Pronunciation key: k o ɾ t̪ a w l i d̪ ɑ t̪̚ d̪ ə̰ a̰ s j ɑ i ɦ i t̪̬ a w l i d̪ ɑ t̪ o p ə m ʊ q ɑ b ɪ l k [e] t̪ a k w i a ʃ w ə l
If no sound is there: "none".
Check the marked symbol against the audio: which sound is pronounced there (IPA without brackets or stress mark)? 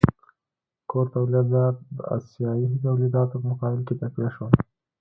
e